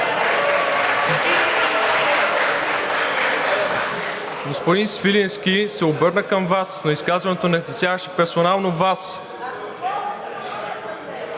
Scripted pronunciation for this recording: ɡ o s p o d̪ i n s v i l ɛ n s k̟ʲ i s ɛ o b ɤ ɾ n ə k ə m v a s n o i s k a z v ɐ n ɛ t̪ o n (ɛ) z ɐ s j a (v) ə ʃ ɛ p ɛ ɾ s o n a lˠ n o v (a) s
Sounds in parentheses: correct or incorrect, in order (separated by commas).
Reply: correct, correct, correct